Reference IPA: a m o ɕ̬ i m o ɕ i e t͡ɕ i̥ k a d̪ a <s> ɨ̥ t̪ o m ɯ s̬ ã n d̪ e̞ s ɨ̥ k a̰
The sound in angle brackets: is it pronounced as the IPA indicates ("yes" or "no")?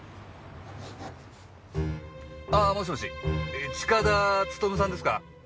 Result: no